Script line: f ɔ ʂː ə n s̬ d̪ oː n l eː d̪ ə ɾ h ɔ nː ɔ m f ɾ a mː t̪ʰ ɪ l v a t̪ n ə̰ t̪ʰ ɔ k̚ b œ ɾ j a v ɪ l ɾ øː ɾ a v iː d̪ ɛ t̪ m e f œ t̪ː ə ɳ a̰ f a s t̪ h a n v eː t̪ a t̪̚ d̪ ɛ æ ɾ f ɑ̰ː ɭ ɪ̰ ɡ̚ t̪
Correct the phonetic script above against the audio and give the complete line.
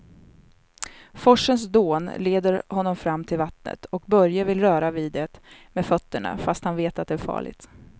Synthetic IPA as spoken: f ɔ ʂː ə n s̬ d̪ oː n l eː d̪ ə ɾ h ɔ nː ɔ m f ɾ a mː t̪ʰ ɪ l v a t̪ n ə̰ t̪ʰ ɔ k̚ b œ ɾ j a v ɪ l ɾ œː ɾ a v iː d̪ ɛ t̪ m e f œ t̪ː ə ɳ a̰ f a s t̪ h a n v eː t̪ a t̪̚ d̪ ɛ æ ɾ f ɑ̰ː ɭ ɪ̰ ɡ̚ t̪